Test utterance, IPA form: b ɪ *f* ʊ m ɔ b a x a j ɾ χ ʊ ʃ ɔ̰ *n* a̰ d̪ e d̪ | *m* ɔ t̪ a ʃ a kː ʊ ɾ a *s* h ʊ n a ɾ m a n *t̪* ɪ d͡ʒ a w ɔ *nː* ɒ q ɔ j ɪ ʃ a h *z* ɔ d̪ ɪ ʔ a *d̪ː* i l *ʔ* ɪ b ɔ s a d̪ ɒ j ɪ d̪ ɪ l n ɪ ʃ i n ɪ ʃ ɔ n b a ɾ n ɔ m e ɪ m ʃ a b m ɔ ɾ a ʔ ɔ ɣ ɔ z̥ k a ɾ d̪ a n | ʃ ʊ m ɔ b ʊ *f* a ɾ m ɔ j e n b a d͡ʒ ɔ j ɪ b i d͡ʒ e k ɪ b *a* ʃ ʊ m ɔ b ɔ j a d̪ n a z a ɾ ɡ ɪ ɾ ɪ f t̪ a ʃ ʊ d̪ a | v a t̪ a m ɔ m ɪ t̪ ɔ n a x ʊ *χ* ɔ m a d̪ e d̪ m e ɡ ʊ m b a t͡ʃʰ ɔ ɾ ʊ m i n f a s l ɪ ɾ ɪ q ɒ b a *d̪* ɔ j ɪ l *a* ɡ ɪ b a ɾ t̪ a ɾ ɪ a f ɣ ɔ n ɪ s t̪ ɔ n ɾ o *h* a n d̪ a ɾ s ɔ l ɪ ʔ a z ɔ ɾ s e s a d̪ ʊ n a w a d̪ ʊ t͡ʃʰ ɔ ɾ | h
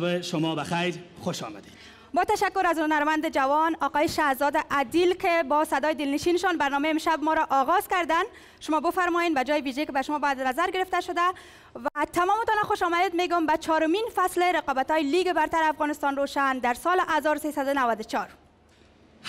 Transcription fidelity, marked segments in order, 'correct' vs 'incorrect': incorrect: ʃ, incorrect: m, incorrect: b, incorrect: z, incorrect: d̪, incorrect: n, correct, incorrect: d̪, incorrect: k, correct, correct, incorrect: ʃ, incorrect: t̪, incorrect: i, incorrect: ʃ

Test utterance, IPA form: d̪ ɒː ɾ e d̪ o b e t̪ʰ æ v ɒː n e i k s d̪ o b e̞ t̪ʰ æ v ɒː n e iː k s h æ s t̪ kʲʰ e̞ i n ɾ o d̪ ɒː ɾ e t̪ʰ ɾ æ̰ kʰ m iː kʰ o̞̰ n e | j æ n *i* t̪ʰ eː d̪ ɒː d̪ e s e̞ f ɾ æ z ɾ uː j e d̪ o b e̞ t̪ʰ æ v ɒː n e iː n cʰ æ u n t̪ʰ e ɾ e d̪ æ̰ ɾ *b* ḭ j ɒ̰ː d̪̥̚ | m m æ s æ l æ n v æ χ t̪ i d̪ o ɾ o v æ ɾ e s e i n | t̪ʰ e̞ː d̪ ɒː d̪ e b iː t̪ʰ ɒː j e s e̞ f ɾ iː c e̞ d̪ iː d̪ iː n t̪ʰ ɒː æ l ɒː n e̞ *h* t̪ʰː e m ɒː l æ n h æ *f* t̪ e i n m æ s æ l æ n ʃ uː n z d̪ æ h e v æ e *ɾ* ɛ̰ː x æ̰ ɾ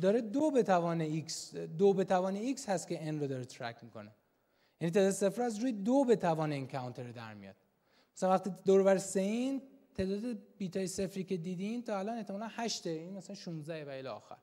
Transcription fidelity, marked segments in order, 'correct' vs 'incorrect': correct, incorrect: m, correct, incorrect: ʃ, incorrect: l

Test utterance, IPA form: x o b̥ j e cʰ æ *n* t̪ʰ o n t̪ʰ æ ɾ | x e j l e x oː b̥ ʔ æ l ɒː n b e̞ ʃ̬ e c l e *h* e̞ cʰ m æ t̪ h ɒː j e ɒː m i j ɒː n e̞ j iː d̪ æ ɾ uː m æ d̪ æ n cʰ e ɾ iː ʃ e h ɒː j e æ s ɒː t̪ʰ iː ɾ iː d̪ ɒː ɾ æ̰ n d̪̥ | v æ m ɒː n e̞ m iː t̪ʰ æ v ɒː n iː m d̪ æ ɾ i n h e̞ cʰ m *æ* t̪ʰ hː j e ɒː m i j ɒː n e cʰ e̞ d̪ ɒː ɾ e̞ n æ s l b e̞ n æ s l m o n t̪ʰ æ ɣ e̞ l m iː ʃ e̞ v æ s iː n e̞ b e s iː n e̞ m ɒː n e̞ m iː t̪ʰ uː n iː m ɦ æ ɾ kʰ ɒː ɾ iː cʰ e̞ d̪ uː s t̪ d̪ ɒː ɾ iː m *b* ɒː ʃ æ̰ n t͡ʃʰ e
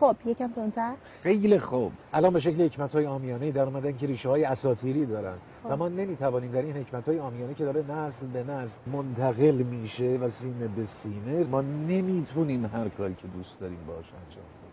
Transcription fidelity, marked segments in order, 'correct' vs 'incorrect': incorrect: m, correct, correct, correct

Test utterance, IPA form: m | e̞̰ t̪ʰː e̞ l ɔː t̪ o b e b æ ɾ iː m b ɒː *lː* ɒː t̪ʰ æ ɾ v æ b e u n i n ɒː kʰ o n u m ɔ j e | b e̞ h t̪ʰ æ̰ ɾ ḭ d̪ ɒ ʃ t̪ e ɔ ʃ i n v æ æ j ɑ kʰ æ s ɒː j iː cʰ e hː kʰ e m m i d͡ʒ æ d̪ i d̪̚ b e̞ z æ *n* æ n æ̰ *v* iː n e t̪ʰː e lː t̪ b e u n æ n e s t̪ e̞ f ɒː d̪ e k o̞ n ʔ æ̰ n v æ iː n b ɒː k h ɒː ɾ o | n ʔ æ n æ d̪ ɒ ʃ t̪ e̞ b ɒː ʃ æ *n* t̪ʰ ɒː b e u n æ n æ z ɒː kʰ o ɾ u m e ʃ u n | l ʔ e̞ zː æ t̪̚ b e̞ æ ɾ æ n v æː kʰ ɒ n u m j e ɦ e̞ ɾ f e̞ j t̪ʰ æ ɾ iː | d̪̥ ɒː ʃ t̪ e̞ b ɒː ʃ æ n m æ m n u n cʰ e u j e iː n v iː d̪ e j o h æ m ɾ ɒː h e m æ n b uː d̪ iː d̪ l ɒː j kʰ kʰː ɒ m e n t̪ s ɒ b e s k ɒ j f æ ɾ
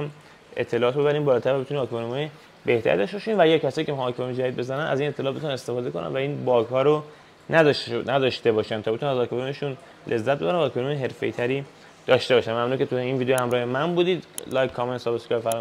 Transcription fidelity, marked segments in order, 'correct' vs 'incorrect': incorrect: l, correct, incorrect: z, correct

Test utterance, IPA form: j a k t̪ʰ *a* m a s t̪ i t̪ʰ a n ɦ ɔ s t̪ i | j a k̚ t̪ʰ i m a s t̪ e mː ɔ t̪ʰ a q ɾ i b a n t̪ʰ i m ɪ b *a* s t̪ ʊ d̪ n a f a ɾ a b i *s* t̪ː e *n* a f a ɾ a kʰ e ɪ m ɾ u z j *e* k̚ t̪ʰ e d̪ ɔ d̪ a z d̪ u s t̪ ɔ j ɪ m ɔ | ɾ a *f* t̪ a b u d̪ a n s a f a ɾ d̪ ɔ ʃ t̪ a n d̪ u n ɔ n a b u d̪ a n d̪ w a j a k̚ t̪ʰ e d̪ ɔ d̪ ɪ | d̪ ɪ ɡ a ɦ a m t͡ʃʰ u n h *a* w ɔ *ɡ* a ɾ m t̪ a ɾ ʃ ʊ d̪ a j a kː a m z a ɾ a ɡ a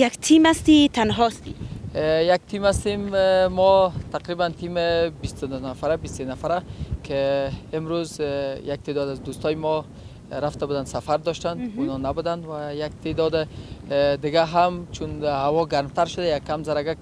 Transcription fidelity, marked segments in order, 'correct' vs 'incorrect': incorrect: i, incorrect: i, correct, correct, incorrect: a, correct, correct, correct

